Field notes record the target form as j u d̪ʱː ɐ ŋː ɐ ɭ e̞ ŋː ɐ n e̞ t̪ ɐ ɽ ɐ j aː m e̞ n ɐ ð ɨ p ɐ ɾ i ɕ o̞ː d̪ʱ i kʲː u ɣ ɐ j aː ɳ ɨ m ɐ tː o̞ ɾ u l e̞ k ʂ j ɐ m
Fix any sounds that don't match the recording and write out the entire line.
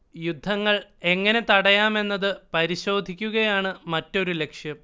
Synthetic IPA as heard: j u d̪ʱː ɐ ŋː ɐ ɭ e̞ ŋː ɐ n e̞ t̪ ɐ ɽ ɐ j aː m e̞ nː ɐ ð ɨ p ɐ ɾ i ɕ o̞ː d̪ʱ i kʲː u ɣ ɐ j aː ɳ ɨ m ɐ tː o̞ ɾ u l e̞ k ʂ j ɐ m